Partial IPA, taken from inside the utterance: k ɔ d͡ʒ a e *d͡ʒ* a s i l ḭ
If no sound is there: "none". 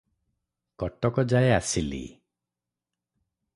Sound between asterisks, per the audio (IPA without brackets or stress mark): none